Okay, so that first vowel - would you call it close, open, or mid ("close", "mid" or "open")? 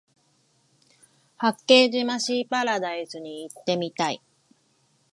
open